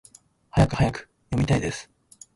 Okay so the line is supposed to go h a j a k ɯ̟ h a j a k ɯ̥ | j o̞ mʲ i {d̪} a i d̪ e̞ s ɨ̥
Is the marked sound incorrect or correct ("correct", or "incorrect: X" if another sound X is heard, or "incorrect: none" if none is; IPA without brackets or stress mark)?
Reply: incorrect: t̪